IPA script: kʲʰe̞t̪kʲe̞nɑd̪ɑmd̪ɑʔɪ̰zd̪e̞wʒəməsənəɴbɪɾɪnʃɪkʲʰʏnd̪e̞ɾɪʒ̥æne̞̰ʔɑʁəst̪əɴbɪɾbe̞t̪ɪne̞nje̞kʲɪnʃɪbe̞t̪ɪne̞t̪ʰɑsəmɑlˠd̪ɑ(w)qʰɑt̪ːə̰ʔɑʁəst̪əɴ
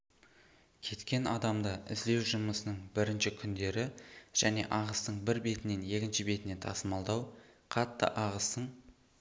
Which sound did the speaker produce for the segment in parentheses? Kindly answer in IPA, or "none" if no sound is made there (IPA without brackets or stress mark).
w